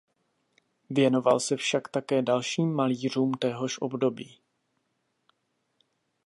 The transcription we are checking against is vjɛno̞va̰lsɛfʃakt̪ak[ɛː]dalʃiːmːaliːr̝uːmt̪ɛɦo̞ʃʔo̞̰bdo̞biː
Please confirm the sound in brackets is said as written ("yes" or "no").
yes